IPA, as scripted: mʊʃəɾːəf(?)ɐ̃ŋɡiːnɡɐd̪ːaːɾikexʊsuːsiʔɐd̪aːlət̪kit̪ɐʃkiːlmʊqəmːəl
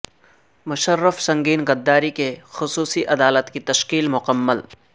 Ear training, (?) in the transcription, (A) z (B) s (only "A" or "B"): B